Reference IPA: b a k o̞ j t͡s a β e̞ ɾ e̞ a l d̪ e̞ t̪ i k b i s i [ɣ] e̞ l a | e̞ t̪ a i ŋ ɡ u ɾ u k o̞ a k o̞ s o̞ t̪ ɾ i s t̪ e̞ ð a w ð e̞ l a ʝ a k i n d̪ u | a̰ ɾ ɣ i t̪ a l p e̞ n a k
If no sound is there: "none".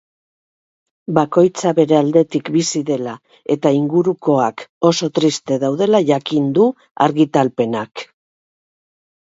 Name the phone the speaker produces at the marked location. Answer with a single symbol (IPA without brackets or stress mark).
ð